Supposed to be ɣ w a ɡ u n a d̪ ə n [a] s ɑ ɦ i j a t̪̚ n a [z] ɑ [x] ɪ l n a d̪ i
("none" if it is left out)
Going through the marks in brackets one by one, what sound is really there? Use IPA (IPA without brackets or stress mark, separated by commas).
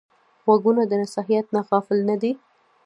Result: a, ɣ, f